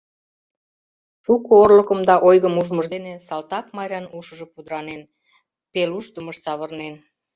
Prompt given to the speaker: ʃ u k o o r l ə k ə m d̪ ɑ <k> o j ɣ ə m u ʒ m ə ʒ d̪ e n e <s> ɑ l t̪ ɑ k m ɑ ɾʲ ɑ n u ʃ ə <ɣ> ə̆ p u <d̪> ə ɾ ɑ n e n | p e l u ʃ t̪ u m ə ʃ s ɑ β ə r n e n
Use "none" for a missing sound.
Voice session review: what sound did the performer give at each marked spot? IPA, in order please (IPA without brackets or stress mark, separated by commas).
ʔ, s, ʒ, d̪